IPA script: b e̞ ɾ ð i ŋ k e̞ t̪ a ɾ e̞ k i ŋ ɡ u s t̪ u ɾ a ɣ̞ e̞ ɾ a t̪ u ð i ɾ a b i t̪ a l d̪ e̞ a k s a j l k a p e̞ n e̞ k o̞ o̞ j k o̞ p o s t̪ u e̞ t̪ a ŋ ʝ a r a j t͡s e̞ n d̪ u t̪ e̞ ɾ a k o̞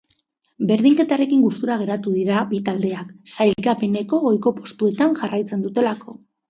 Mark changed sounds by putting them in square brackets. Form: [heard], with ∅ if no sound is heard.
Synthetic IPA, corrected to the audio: b e̞ ɾ ð i ŋ k e̞ t̪ a ɾ e̞ k i ŋ ɡ u s t̪ u ɾ a ɣ̞ e̞ ɾ a t̪ u ð i ɾ a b i t̪ a l d̪ e̞ a k s a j l k a p e̞ n e̞ k o̞ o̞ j k o̞ p o s t̪ u e̞ t̪ a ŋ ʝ a r a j t͡s e̞ n d̪ u t̪ e̞ [l] a k o̞